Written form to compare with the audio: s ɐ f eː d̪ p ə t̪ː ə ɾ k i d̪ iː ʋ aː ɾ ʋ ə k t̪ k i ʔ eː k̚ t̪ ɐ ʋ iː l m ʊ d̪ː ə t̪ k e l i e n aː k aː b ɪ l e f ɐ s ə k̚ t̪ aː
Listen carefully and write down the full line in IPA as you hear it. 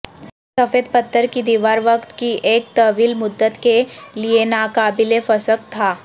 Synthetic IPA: s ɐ f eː d̪ p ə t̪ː ə ɾ k i d̪ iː ʋ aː ɾ ʋ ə k t̪ k i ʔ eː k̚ t̪ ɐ ʋ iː l m ʊ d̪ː ə t̪ k e l i e n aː k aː b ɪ l e f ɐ s ə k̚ t̪ʰ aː

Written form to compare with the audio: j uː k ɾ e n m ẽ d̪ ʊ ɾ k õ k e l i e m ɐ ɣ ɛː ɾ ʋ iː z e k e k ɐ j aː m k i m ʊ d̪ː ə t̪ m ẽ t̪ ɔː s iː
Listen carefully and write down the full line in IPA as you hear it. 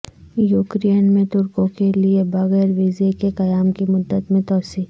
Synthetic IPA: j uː k ɾ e n m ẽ t̪ ʊ ɾ k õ k e l i e b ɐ ɣ ɛː ɾ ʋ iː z e k e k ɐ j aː m k i m ʊ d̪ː ə t̪ m ẽ t̪ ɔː s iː

